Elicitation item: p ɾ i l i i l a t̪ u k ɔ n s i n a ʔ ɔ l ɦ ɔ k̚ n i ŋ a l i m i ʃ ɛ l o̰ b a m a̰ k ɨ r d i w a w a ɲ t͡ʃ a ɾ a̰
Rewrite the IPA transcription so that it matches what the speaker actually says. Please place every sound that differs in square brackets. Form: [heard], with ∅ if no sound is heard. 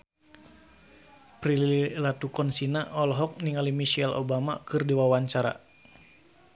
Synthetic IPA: p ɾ i l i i l a t̪ u k ɔ n s i n a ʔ ɔ l ɦ ɔ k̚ n i ŋ a l i m i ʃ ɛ l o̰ b a m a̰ k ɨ r d i w a w a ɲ t͡ʃ a ɾ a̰